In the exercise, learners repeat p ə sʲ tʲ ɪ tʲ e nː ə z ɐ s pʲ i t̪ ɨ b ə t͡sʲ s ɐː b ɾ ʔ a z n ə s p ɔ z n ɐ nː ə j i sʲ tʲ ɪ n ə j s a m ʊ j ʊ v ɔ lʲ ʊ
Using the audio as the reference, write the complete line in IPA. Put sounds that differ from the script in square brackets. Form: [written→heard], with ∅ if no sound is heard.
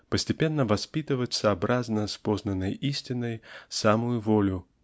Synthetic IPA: p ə sʲ tʲ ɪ [tʲ→pʲ] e nː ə [z→v] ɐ s pʲ i t̪ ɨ [b→v] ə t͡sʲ s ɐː b ɾ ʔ a z n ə s p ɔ z n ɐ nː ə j i sʲ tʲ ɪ n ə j s a m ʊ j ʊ v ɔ lʲ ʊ